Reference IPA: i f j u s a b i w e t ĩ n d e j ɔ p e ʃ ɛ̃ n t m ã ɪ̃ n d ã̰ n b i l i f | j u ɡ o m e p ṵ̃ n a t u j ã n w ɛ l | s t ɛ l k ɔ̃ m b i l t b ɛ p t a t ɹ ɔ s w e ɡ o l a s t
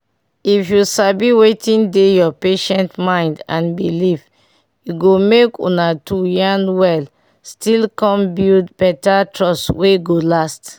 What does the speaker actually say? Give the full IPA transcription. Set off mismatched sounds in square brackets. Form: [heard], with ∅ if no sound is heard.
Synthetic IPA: i f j u s a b i w e t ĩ n d e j ɔ p e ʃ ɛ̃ n t m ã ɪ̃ n d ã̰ n b i l i f | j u ɡ o m e [k] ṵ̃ n a t u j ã n w ɛ l | s t [i] l k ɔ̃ m b i l [d] b ɛ [∅] t a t ɹ ɔ s w e ɡ o l a s t